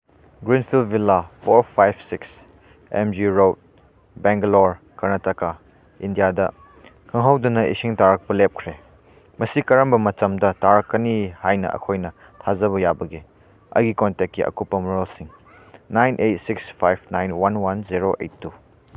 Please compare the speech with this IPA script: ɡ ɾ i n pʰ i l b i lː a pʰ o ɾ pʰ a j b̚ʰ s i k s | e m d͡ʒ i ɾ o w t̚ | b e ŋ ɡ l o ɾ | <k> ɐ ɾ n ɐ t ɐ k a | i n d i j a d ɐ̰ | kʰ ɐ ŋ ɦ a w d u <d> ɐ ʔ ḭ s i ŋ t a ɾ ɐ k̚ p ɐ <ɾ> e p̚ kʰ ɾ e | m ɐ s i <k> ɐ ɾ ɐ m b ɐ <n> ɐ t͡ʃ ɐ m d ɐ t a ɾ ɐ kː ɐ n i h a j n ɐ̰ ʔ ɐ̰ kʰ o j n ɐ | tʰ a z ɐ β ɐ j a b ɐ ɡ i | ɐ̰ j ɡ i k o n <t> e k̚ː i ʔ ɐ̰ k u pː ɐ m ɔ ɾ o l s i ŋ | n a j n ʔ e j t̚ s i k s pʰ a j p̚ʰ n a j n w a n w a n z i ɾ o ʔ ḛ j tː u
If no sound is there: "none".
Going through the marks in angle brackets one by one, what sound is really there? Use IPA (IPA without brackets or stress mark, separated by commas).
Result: k, n, l, k, m, t